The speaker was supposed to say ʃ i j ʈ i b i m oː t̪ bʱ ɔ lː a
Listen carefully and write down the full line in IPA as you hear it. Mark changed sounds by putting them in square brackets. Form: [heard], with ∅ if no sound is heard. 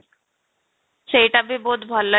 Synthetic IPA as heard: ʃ [e] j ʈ [a] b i [b] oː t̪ bʱ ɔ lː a